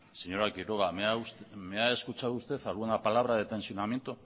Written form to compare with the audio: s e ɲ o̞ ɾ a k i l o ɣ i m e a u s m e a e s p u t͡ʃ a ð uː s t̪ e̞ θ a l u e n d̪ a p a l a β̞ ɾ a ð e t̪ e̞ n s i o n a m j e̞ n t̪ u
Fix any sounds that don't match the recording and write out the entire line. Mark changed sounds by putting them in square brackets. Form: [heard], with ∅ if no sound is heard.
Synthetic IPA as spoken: s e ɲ o̞ ɾ a k i [ɾ] o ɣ [a] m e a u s m e a e s [k] u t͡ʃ a ð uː s t̪ e̞ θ a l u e n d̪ a p a l a β̞ ɾ a ð e t̪ e̞ n s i o n a m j e̞ n t̪ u